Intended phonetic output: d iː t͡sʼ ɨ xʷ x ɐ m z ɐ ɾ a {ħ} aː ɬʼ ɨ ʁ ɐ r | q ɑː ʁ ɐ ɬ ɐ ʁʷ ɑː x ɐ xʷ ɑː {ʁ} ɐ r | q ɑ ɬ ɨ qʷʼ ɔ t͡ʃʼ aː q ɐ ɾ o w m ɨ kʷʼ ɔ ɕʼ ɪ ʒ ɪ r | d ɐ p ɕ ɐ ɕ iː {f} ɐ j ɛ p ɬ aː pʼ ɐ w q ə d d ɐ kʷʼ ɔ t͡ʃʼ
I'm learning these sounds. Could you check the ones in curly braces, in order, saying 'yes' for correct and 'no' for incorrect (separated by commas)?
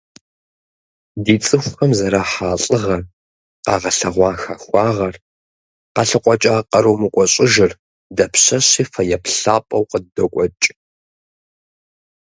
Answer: yes, yes, yes